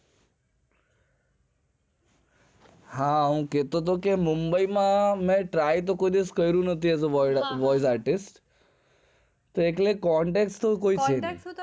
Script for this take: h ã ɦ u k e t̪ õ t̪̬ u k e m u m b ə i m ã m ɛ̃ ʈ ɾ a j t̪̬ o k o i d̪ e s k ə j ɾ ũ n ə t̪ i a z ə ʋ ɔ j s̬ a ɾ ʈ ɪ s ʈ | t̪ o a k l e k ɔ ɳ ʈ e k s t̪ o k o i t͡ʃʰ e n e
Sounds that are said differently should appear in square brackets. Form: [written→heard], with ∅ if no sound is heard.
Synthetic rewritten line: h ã ɦ [u→ũ] k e t̪ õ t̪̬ [u→o] k e m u m b ə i m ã m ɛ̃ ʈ ɾ a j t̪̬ o k o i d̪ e s k ə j ɾ ũ n ə t̪ i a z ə ʋ ɔ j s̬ a ɾ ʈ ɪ s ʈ | t̪ o [a→e] k l e k ɔ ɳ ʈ e k s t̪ o k o i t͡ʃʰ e n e